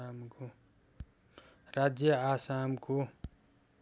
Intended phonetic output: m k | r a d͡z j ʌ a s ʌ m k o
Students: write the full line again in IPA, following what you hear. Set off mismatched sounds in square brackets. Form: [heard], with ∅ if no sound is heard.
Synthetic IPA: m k | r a d͡z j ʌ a s [a] m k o

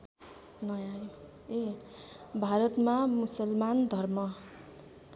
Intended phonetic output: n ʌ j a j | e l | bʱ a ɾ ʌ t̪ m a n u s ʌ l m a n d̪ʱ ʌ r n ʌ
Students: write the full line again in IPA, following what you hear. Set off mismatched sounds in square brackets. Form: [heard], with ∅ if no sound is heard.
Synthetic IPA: n ʌ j a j | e [∅] | bʱ a ɾ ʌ t̪ m a [m] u s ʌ l m a n d̪ʱ ʌ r [m] ʌ

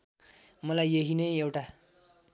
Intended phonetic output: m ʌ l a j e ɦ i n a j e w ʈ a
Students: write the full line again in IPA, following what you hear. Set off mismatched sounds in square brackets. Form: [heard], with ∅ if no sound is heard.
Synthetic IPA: m ʌ l a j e ɦ i n [ʌ] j e w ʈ a

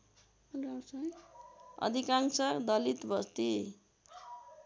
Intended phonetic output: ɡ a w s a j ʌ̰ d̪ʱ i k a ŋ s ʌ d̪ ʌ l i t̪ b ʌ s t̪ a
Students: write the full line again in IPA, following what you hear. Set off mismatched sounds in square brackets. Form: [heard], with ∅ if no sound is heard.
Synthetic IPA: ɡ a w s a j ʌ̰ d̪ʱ i k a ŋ s ʌ d̪ ʌ l i t̪ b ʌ s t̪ [i]

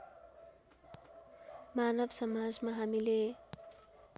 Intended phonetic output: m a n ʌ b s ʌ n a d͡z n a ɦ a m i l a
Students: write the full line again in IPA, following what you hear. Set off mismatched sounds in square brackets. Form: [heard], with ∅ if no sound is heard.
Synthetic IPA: m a n ʌ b s ʌ [m] a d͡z [m] a ɦ a m i l [e]

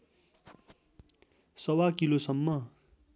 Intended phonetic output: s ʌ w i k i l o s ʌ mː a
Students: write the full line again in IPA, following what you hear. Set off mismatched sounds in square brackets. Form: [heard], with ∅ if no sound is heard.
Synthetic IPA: s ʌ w [a] k i l o s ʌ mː [ʌ]

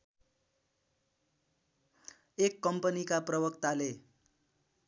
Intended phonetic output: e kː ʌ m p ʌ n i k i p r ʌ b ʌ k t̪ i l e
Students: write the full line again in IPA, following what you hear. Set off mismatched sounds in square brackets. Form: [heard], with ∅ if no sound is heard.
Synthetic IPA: e kː ʌ m p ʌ n i k [a] p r ʌ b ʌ k t̪ [a] l e

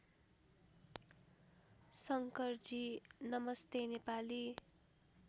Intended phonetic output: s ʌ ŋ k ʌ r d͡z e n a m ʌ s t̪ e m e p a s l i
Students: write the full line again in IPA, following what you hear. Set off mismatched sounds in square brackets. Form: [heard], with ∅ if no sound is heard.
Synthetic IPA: s ʌ ŋ k ʌ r d͡z [i] n [ʌ] m ʌ s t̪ e [n] e p a [∅] l i

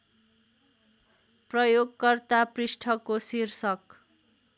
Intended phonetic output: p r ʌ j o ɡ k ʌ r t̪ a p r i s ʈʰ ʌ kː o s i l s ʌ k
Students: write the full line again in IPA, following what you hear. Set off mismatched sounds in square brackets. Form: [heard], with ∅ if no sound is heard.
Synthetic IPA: p r ʌ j o ɡ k ʌ r t̪ a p r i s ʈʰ ʌ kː o s i [r] s ʌ k

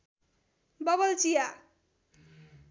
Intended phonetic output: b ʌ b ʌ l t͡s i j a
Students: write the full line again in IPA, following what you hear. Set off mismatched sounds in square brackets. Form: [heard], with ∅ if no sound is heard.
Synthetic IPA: b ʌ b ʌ l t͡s i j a

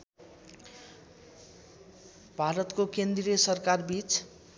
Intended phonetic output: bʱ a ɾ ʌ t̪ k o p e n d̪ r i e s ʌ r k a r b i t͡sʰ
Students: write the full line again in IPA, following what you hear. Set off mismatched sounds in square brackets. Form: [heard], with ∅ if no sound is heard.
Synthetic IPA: bʱ a ɾ ʌ t̪ k o [k] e n d̪ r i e s ʌ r k a r b i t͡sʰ

